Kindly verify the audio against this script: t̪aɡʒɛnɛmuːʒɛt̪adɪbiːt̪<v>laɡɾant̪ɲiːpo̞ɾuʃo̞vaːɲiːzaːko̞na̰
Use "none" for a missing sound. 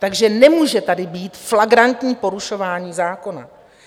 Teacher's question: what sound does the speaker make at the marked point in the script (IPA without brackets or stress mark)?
f